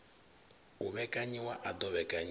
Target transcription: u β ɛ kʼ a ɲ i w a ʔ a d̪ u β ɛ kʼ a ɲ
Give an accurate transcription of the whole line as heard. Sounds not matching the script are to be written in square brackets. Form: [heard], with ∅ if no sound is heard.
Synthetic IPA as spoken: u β ɛ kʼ a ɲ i w a ʔ a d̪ [ɔ] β ɛ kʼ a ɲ